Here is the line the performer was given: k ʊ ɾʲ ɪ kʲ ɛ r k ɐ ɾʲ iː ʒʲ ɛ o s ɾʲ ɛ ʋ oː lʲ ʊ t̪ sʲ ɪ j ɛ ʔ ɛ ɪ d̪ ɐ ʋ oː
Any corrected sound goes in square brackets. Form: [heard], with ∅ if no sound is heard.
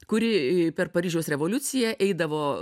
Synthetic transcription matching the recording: k ʊ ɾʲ ɪ [pʲ] ɛ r [p] ɐ ɾʲ iː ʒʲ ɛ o s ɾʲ ɛ ʋ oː lʲ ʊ t̪ sʲ ɪ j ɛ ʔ ɛ ɪ d̪ ɐ ʋ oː